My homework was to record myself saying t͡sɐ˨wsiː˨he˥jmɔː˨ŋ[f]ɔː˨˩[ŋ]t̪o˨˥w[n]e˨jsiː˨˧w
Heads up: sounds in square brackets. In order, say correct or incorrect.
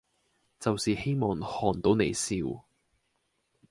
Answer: incorrect: h, incorrect: n, correct

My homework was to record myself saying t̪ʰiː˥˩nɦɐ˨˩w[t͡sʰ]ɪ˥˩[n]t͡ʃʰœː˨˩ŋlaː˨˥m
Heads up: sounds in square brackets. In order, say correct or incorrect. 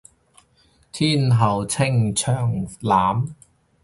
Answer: correct, incorrect: ŋ

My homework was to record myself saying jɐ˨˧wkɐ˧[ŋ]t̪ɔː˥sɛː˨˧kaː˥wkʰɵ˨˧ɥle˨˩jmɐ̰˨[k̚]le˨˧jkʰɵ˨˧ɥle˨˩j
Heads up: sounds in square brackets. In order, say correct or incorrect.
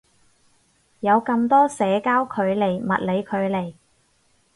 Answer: incorrect: m, incorrect: t̚

